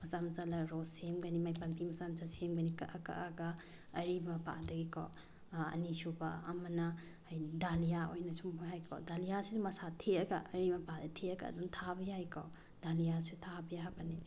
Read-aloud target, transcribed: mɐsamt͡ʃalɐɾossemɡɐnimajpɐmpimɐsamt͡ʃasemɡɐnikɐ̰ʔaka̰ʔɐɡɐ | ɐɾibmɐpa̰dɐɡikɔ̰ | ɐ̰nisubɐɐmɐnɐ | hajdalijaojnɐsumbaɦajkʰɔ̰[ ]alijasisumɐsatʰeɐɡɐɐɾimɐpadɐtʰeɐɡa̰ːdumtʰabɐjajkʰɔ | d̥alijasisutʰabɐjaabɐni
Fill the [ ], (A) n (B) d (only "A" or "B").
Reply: B